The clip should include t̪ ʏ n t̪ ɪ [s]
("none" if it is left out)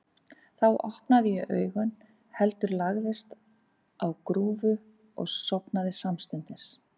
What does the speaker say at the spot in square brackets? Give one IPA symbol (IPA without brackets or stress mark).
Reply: s